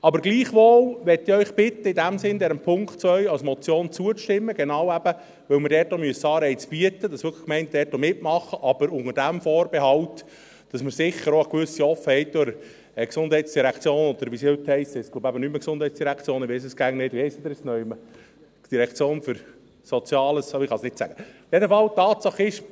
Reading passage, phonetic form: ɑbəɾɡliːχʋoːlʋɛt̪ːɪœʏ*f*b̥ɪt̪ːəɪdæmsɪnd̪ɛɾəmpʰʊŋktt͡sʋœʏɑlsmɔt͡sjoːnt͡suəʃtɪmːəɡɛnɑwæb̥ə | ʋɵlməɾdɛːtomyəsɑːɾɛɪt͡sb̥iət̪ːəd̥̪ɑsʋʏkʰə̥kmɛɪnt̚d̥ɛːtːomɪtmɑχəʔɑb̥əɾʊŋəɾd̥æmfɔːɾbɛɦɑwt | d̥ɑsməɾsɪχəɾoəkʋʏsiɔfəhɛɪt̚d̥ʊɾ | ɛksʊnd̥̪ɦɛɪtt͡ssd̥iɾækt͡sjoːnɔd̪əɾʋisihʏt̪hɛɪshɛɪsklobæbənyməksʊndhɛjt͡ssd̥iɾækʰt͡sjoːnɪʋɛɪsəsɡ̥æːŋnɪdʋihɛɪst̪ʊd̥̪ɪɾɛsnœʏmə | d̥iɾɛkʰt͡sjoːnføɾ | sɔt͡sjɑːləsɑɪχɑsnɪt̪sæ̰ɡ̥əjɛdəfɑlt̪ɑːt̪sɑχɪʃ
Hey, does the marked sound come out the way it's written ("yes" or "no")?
no